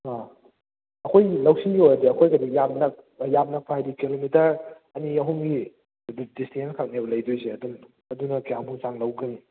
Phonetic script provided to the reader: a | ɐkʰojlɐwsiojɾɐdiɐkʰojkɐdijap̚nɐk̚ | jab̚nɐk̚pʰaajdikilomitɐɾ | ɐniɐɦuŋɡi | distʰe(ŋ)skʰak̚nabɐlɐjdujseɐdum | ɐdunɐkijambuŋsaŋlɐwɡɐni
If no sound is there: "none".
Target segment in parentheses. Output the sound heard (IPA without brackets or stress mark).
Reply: n